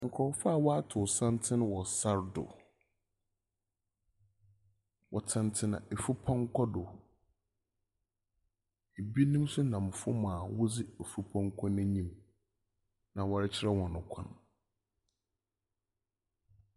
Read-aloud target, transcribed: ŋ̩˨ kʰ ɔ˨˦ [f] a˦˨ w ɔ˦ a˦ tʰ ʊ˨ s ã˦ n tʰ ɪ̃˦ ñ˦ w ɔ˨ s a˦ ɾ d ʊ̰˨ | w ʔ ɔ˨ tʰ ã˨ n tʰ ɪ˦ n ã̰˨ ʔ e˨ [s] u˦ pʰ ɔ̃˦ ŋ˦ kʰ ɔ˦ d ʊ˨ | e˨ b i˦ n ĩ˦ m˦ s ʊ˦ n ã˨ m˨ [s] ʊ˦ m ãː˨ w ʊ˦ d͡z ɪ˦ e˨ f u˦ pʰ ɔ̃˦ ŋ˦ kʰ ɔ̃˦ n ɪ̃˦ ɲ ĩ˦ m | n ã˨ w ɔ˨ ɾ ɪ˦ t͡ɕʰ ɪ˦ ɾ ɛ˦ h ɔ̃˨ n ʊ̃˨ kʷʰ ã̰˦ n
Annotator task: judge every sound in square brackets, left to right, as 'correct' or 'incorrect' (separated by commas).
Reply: correct, incorrect, incorrect